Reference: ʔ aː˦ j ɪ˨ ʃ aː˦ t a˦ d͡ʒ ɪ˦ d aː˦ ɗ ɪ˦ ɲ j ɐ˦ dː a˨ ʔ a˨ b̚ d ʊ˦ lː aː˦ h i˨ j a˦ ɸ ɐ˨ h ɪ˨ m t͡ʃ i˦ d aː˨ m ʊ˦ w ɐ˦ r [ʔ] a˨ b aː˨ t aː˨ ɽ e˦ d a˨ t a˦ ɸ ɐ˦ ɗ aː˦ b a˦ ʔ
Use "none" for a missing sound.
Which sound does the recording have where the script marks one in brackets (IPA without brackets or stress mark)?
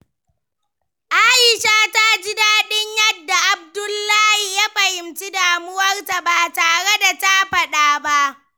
t